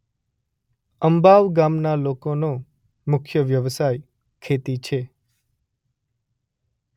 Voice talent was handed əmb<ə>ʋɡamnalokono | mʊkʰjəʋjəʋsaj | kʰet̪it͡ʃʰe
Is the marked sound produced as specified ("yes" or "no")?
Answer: no